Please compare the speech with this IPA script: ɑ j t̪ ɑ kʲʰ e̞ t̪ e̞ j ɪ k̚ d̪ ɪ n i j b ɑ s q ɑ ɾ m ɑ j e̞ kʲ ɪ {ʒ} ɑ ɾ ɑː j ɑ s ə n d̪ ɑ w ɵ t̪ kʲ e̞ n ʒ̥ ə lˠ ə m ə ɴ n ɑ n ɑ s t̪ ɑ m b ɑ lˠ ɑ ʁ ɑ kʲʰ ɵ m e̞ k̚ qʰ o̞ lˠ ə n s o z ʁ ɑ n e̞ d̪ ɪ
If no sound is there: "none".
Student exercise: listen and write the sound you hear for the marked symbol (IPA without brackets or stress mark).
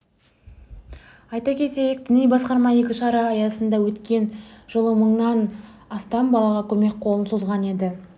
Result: ʃ